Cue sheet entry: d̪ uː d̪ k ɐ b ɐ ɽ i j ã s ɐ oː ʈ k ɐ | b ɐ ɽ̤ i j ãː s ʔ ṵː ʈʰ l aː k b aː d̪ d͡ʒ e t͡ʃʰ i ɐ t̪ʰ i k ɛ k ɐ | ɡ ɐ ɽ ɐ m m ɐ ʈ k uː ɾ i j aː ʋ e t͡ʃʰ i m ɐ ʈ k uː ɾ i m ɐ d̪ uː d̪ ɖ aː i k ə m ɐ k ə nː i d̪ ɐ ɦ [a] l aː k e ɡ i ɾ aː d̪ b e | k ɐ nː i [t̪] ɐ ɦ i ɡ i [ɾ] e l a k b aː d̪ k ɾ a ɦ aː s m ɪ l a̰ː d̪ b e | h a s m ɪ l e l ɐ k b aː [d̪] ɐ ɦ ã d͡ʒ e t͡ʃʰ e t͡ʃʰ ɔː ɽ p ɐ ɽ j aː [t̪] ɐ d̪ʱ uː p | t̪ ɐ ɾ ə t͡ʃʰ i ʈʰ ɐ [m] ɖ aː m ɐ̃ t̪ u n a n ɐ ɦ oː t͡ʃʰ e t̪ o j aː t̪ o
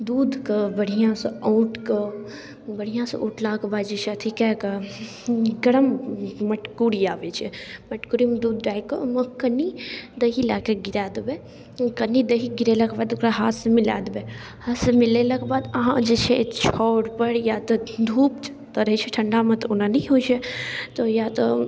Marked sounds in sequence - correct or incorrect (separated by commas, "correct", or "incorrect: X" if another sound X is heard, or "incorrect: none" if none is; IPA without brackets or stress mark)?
incorrect: i, incorrect: d̪, correct, correct, correct, incorrect: ɳ